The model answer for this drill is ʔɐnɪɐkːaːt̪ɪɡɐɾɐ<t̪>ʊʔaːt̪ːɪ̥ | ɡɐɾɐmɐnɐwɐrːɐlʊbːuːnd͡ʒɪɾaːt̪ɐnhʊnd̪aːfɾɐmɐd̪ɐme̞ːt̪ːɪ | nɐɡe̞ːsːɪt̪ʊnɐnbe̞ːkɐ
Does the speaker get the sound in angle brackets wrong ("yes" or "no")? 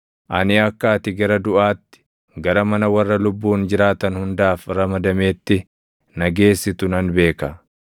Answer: yes